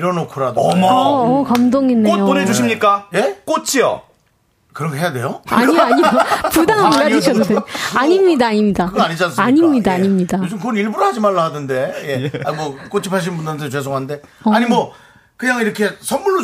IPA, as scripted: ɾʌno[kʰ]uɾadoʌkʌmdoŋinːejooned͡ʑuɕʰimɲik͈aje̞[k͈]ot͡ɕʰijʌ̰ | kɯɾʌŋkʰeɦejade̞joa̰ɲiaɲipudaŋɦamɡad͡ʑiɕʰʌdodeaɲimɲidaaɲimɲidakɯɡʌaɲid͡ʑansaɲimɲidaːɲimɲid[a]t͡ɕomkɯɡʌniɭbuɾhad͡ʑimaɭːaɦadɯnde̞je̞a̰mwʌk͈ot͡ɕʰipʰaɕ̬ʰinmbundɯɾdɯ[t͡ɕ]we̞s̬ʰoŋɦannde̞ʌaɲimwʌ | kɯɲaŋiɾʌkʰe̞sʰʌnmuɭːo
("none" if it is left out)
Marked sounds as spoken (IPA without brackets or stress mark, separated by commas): kʰ, k͈, a, t͡ɕ